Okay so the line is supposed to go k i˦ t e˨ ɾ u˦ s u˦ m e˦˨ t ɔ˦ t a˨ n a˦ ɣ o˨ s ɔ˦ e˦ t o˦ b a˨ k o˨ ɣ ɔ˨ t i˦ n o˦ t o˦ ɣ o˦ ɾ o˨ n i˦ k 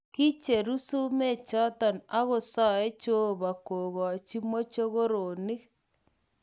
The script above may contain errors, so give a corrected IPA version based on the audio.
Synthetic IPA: k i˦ t͡ʃ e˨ ɾ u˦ s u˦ m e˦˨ t͡ʃ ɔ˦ t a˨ n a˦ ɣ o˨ s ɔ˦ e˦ t͡ʃ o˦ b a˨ k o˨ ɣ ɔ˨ t͡ʃ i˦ m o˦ t͡ʃ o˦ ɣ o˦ ɾ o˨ n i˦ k